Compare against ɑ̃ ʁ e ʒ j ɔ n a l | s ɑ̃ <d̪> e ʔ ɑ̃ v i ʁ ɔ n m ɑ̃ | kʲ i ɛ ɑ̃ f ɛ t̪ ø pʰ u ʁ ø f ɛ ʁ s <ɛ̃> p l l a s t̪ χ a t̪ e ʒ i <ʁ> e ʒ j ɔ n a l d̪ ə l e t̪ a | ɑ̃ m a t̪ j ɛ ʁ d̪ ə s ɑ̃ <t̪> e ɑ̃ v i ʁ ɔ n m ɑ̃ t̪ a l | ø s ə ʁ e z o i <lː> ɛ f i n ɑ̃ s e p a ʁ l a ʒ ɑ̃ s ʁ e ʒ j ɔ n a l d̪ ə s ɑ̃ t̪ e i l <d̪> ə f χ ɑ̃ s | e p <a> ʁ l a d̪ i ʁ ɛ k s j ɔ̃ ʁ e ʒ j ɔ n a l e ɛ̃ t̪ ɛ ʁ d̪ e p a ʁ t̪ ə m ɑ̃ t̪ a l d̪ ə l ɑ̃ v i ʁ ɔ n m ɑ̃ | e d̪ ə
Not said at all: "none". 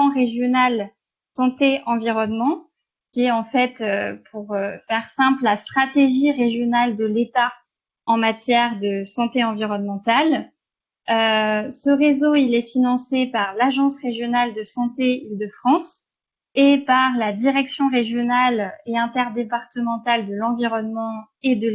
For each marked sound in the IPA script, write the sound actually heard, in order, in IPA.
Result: t̪, ɛ̃, ʁ, t̪, l, d̪, a

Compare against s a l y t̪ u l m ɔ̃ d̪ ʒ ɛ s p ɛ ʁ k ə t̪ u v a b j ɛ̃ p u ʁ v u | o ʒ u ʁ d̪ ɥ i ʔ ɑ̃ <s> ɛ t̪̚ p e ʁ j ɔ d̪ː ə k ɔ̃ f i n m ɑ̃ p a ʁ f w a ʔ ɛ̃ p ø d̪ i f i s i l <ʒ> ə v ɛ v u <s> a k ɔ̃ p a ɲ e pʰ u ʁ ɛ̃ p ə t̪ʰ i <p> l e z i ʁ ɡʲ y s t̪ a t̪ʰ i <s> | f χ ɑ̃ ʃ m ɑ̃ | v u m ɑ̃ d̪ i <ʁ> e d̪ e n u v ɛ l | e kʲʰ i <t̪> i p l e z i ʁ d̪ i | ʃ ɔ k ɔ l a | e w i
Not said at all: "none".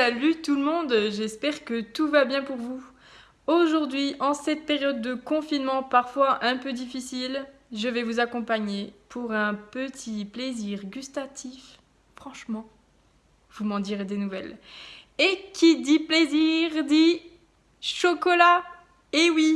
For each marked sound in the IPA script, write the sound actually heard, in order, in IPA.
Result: s, ʒ, z, p, f, ʁ, d̪

